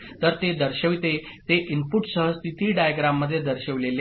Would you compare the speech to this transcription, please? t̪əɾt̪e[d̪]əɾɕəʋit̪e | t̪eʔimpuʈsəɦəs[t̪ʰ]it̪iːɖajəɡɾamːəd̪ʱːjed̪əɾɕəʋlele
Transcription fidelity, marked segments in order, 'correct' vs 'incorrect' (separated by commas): correct, incorrect